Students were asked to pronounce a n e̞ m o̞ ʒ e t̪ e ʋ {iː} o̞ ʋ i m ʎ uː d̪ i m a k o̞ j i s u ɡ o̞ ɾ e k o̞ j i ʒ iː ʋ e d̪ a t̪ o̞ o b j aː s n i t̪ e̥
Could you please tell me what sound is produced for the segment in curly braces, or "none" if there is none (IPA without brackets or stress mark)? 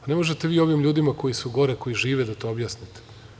iː